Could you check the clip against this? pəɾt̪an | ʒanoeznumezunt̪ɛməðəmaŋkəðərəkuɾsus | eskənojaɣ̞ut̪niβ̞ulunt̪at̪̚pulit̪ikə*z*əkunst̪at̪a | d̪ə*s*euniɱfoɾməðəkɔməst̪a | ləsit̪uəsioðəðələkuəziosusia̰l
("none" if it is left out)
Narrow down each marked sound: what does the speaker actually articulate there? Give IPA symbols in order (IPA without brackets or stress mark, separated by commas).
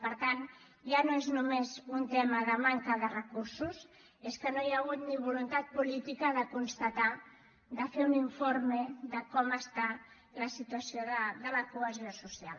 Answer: ð, f